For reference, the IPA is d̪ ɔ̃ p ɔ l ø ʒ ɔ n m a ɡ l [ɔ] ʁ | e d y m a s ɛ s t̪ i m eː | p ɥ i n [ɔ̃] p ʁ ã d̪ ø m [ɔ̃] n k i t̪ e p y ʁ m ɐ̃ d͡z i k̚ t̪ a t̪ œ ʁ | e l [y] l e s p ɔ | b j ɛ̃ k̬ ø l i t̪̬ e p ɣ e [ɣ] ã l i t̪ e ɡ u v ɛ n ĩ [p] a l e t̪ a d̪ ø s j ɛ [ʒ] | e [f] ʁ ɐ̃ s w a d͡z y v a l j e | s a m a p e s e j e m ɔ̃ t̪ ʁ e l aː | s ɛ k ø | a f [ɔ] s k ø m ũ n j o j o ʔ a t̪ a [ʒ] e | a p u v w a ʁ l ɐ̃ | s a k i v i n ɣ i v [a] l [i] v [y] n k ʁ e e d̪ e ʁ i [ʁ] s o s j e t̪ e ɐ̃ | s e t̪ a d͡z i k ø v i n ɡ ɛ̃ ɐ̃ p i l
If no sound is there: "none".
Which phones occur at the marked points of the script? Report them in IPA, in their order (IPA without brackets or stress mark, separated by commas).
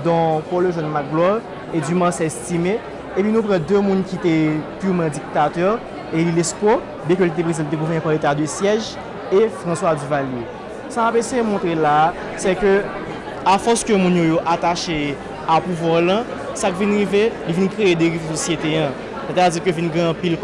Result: ɔ, ũ, ũ, i, z, p, ʒ, f, ɔ, ʃ, e, i, i, v